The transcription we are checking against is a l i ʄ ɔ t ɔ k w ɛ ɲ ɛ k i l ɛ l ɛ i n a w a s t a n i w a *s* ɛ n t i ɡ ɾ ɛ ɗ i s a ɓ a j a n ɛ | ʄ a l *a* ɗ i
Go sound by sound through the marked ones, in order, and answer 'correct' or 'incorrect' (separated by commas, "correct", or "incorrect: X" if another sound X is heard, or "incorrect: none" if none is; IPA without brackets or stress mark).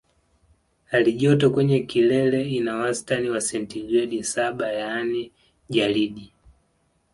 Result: correct, incorrect: i